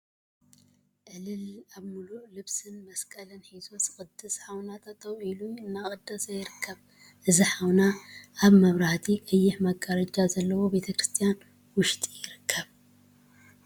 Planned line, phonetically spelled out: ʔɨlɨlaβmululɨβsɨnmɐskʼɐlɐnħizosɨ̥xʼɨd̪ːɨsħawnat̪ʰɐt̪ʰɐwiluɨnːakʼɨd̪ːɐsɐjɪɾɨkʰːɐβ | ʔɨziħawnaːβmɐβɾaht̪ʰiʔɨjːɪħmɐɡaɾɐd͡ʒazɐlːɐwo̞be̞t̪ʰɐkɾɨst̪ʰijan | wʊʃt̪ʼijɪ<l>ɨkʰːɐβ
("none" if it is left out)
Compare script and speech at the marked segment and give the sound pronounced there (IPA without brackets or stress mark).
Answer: ɾ